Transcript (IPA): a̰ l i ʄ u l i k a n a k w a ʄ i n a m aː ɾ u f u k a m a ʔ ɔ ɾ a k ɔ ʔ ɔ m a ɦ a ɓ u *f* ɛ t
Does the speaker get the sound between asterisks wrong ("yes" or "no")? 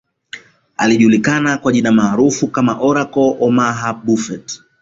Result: no